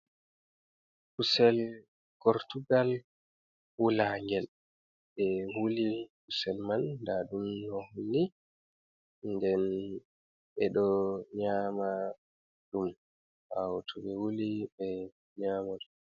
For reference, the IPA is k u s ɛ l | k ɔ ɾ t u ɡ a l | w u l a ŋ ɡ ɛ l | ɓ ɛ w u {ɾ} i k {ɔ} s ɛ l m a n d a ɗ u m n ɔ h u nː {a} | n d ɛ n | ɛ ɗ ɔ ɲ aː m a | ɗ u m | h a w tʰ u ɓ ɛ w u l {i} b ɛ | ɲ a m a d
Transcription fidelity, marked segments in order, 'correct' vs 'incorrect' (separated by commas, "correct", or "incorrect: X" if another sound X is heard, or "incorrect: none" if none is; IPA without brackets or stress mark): incorrect: l, incorrect: u, incorrect: i, correct